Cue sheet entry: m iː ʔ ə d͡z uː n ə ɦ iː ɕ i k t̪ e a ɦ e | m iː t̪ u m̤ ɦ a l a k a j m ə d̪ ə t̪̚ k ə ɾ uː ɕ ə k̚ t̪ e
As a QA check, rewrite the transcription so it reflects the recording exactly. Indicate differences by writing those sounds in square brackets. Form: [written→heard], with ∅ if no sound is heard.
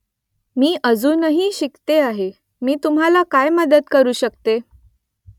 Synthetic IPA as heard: m iː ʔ ə d͡z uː n ə ɦ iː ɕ i k t̪ e a ɦ e | m iː t̪ u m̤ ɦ a l a k a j m ə d̪ ə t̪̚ k ə ɾ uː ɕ ə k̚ t̪ e